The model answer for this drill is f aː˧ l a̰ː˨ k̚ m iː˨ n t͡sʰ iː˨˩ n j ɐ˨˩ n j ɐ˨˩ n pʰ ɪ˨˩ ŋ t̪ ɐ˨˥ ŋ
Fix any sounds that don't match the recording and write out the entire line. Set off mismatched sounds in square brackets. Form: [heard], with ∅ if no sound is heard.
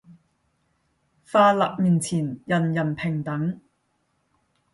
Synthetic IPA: f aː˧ l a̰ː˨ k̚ m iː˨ n t͡sʰ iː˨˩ n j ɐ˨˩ n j ɐ˨˩ n pʰ ɪ˨˩ ŋ t̪ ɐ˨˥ ŋ